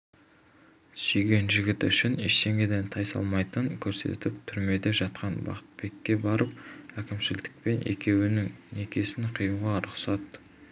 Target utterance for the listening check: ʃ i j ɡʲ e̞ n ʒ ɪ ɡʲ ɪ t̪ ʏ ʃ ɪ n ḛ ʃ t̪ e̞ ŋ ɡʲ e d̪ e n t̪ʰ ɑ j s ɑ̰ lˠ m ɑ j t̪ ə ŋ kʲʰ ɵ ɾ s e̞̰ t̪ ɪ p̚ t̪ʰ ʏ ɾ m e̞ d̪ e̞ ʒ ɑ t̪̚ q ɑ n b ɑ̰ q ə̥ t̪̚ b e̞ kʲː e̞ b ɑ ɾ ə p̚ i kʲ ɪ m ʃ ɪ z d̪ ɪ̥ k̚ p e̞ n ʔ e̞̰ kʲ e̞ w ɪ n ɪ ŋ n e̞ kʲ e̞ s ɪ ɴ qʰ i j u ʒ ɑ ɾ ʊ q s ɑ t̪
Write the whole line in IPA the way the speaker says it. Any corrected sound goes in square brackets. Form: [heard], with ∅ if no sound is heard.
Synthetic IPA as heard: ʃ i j ɡʲ e̞ n ʒ ɪ ɡʲ ɪ t̪ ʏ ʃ ɪ n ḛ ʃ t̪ e̞ ŋ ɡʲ e d̪ e n t̪ʰ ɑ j s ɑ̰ lˠ m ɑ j t̪ ə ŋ kʲʰ ɵ ɾ s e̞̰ t̪ ɪ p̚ t̪ʰ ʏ ɾ m e̞ d̪ e̞ ʒ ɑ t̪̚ q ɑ n b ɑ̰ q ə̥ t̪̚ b e̞ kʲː e̞ b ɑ ɾ ə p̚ [æ] kʲ ɪ m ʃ ɪ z d̪ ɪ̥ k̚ p e̞ n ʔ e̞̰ kʲ e̞ w ɪ n ɪ ŋ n e̞ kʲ e̞ s ɪ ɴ qʰ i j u [ʁ] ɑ ɾ ʊ q s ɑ t̪